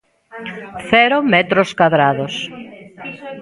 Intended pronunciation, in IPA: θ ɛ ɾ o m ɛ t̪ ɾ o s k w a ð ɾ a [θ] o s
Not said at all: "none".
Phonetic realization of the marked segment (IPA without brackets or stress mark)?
ð